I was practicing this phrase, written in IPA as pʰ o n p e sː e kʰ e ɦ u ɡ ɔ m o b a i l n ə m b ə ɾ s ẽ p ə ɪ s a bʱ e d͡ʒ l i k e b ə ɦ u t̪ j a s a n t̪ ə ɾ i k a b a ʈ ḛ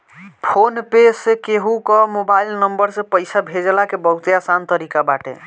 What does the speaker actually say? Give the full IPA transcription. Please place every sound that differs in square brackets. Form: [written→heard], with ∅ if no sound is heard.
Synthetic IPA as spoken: pʰ o n p e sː e [kʰ→k] e ɦ u [ɡ→k] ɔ m o b a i l n ə m b ə ɾ s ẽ p ə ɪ s a bʱ e d͡ʒ l [i→a] k e b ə ɦ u t̪ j a s a n t̪ ə ɾ i k a b a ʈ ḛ